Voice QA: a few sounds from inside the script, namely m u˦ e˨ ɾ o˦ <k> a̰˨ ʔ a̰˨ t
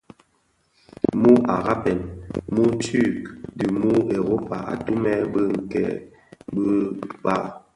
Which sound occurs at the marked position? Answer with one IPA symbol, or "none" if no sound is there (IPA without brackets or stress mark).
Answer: p